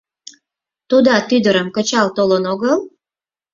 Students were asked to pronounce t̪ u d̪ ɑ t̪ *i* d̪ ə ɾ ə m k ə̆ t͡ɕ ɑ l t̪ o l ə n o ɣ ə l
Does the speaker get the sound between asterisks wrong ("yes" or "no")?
yes